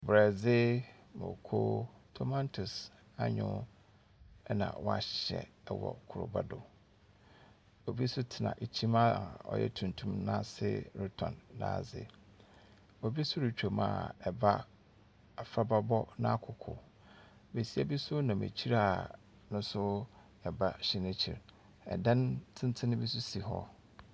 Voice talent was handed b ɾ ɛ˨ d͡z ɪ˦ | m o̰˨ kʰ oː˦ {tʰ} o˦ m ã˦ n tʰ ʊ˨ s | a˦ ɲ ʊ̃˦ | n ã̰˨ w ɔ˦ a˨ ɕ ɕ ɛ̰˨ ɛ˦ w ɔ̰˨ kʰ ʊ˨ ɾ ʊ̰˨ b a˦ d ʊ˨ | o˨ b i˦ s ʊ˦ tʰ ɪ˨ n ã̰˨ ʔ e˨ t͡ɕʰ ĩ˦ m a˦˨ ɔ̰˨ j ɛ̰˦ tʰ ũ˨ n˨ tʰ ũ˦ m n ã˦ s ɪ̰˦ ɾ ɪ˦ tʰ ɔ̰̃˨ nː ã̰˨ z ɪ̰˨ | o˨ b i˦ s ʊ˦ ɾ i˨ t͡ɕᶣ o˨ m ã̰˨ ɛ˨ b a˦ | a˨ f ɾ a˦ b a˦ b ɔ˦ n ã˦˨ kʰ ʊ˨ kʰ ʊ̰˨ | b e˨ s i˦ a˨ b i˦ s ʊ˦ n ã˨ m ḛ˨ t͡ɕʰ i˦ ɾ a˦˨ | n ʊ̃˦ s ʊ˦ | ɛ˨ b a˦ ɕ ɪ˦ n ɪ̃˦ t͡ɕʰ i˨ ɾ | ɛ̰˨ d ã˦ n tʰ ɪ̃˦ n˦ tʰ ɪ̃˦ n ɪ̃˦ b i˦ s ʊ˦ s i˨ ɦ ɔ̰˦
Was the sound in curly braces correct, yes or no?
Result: yes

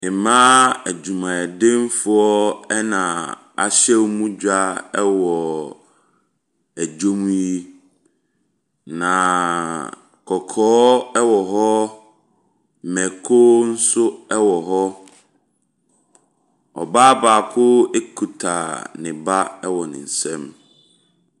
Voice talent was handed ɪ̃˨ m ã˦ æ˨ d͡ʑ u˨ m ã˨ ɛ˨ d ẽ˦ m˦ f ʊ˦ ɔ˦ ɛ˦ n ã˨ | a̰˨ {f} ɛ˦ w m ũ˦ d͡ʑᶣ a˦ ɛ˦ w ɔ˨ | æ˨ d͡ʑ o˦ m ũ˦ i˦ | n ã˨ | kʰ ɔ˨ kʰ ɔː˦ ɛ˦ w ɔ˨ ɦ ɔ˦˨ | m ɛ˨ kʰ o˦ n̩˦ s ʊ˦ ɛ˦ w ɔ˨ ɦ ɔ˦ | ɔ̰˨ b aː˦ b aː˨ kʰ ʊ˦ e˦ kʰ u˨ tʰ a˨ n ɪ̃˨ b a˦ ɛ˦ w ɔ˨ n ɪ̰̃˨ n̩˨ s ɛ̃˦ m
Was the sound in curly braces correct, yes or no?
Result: no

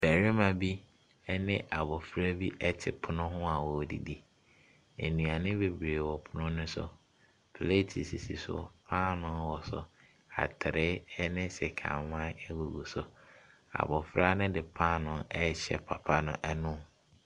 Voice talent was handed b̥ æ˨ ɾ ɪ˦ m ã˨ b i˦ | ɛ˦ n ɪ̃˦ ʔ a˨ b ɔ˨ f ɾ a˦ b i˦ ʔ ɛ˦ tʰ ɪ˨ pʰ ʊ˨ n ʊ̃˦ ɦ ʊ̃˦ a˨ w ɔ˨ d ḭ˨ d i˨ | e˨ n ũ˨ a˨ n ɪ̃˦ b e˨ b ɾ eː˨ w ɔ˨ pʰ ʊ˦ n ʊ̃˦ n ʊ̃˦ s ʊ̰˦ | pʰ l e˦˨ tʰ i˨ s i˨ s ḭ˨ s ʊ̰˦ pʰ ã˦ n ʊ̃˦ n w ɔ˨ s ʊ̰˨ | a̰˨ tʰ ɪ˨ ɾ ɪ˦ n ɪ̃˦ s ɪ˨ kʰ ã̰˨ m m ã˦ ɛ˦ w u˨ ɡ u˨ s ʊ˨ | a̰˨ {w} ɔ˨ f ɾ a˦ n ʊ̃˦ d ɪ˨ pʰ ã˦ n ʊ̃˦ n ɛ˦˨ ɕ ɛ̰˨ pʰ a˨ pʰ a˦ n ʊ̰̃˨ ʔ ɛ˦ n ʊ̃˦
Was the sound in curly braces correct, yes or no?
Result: no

